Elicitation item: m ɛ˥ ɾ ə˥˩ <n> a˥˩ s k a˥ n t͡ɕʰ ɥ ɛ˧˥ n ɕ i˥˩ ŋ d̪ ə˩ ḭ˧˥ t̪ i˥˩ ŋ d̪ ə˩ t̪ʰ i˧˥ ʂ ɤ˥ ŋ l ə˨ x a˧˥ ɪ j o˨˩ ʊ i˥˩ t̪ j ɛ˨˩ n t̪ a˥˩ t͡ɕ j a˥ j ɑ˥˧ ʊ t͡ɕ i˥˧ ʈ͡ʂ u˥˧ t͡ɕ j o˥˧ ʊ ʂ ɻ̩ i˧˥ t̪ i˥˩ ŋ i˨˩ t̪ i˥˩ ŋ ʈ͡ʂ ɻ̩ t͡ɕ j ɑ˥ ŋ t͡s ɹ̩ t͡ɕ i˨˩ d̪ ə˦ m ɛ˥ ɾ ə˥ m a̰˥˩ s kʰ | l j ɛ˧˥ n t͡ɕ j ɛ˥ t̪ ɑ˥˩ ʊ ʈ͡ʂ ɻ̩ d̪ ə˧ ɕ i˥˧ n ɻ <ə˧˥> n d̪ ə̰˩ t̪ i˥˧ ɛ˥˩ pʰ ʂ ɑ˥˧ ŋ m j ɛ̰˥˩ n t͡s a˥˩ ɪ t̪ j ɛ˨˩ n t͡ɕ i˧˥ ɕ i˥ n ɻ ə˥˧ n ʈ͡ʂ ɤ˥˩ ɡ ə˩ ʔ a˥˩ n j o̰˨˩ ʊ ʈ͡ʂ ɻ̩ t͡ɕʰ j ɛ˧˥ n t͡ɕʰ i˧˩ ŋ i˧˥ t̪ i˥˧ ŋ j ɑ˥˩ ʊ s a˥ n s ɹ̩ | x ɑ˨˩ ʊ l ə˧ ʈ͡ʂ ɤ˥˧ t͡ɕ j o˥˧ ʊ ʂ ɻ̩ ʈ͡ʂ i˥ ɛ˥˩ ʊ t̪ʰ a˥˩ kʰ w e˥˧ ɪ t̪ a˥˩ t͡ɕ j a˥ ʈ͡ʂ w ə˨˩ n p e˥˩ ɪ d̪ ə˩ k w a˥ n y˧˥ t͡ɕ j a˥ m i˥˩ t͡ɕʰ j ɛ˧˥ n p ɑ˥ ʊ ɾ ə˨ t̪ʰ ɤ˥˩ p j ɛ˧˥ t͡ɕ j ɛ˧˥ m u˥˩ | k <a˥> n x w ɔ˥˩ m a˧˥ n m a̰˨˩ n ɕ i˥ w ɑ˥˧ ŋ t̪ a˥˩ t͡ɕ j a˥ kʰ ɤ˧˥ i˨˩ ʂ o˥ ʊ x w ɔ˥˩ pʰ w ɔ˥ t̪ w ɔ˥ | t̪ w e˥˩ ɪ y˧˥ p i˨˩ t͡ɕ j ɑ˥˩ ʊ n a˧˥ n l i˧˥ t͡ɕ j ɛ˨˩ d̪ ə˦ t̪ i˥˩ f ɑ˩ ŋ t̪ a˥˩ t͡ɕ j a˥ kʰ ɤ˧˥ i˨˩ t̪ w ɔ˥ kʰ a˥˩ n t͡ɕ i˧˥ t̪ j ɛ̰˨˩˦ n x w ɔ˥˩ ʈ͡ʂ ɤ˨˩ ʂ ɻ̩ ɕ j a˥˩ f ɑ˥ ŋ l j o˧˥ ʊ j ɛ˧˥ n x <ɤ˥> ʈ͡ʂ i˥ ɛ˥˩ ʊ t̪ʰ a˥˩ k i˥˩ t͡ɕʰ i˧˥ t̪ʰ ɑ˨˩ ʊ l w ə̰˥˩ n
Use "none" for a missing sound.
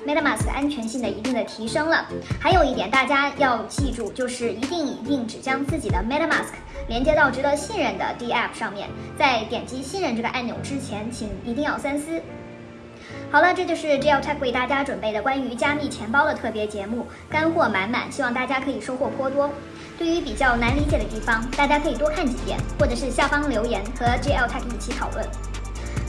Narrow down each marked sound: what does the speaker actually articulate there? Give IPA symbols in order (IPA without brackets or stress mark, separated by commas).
m, ə˥˩, a˥, ɤ˧˥